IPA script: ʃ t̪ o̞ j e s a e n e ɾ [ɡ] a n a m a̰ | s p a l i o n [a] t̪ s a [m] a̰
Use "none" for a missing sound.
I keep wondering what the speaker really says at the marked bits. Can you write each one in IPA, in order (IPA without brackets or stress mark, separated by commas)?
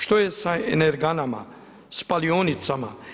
ɡ, i, m